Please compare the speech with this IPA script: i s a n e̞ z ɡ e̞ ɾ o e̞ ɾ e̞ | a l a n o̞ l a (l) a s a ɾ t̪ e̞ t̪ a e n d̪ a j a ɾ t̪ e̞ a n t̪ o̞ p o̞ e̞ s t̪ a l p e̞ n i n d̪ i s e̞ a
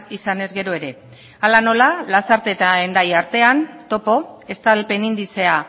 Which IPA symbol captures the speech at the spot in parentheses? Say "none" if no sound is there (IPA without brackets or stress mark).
l